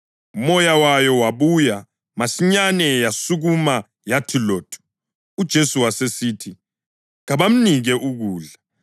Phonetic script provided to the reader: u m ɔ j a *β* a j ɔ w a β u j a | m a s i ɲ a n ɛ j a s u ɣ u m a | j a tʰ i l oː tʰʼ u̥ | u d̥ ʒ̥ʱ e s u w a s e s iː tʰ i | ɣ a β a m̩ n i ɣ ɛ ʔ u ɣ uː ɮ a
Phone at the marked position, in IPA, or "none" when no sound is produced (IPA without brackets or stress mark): w